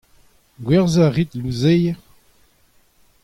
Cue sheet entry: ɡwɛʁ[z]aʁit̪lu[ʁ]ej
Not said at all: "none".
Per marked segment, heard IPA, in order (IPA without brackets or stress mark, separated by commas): z, z